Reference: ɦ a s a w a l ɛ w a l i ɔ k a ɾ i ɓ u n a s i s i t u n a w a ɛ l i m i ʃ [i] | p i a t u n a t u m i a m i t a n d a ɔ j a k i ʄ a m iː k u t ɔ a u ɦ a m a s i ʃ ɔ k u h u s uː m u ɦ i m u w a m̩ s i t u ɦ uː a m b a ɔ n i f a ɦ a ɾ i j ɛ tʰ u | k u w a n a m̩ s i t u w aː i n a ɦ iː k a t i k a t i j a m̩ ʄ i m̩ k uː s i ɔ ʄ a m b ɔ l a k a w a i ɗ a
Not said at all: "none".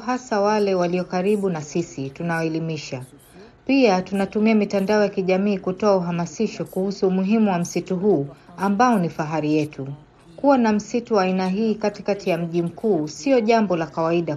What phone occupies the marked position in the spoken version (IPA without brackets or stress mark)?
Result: a